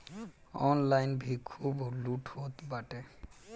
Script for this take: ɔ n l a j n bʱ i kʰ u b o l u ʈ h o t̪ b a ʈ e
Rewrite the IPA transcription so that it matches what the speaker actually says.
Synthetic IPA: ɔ n l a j n bʱ i kʰ u b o l u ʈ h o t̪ b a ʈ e